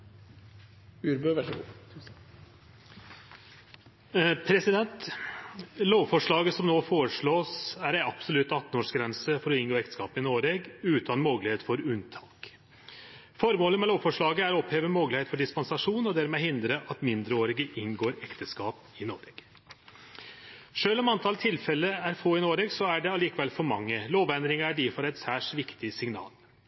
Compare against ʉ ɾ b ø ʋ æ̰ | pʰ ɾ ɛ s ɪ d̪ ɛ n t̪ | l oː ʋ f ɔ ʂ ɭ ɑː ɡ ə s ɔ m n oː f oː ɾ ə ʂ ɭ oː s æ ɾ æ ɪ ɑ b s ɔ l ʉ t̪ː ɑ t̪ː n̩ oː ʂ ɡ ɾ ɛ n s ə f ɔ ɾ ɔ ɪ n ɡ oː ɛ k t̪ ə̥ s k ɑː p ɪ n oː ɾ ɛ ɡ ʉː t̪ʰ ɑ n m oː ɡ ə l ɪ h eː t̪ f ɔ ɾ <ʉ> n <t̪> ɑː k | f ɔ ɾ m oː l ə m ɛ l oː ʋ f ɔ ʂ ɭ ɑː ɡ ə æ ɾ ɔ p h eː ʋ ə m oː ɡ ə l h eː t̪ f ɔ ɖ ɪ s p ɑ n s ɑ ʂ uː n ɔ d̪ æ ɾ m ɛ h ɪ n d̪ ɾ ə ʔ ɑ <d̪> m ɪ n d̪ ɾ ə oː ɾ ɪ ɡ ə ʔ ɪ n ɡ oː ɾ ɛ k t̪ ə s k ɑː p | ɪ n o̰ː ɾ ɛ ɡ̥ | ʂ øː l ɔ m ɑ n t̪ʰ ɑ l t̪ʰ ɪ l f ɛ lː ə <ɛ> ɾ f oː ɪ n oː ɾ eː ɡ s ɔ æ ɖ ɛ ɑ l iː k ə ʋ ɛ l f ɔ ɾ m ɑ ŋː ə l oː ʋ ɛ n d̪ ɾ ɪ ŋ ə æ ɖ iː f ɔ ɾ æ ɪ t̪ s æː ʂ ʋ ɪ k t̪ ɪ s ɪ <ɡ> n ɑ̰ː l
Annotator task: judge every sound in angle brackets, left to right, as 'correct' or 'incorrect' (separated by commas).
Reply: correct, incorrect, incorrect, incorrect, incorrect